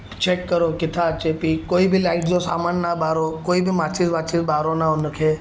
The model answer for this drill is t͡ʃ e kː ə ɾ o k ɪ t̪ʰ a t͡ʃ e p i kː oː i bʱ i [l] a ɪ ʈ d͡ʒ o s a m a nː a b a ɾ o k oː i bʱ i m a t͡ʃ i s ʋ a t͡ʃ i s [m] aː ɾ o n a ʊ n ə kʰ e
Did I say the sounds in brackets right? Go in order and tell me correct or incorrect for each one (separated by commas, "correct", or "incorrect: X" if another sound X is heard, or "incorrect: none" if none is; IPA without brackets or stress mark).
correct, incorrect: b